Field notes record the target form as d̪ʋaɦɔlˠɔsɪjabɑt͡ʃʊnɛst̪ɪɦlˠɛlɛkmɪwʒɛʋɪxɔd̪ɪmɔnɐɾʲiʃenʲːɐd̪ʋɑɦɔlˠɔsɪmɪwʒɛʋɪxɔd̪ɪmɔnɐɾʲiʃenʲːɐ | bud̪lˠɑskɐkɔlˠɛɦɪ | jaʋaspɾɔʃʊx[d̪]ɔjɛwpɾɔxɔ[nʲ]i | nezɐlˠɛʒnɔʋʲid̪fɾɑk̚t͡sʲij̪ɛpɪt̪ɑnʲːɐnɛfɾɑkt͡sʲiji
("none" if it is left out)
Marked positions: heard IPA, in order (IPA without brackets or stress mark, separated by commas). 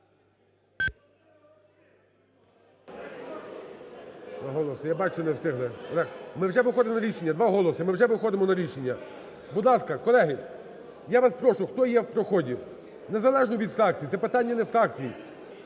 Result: t̪, dʲ